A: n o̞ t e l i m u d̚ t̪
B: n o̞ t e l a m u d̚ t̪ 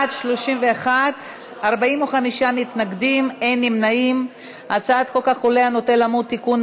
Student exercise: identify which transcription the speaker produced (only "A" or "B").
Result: B